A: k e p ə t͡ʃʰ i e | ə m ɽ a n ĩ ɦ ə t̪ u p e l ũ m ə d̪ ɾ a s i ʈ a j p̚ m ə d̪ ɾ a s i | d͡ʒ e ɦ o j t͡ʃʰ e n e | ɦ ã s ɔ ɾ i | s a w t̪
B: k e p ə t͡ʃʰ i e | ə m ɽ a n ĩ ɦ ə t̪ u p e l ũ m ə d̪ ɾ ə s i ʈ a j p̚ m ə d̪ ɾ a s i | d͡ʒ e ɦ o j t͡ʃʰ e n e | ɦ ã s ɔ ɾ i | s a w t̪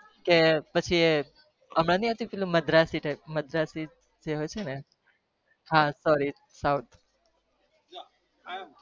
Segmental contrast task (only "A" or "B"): A